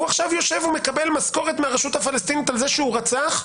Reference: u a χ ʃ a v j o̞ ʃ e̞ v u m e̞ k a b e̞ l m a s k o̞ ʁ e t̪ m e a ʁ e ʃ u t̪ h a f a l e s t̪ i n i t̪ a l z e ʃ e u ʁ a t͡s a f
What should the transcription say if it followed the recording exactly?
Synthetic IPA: u a χ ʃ a v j o̞ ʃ e̞ v u m e̞ k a b e̞ l m a s k o̞ ʁ e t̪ m e a ʁ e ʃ u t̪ h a f a l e s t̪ i n i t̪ a l z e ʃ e u ʁ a t͡s a χ